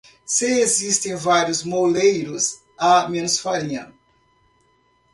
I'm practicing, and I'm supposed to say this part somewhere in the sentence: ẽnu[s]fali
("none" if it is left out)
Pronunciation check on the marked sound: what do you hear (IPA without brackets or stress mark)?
s